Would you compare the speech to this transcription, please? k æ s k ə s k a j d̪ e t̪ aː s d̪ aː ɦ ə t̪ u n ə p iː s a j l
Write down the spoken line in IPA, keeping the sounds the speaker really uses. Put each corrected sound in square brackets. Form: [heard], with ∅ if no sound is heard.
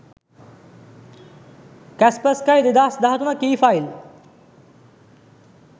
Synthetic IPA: k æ s [p] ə s k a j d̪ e [d̪] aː s d̪ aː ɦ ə t̪ u n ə [k] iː [f] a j l